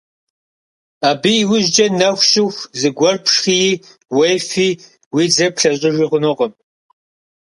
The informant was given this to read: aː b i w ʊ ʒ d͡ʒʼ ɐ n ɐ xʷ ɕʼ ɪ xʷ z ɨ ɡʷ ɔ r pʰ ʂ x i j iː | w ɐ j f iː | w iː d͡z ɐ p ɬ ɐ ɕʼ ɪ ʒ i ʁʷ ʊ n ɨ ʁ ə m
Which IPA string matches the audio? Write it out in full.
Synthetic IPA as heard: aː b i w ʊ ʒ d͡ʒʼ ɐ n ɐ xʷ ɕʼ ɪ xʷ z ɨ ɡʷ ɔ r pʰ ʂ x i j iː | w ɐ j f iː | w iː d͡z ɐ p ɬ ɐ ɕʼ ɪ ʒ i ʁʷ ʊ n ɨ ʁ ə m